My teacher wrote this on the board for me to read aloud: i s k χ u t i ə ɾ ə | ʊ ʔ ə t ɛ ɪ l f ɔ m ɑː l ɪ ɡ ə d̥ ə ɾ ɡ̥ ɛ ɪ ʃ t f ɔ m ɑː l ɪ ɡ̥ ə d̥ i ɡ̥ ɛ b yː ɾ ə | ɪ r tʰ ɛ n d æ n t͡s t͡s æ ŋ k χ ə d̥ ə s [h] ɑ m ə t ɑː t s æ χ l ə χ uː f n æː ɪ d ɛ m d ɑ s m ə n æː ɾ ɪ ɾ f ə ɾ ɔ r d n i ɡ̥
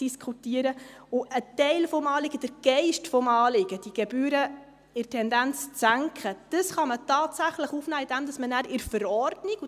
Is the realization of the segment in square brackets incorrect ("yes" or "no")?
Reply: yes